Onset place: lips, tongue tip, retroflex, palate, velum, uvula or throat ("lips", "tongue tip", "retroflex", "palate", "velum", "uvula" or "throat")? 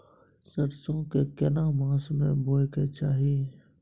tongue tip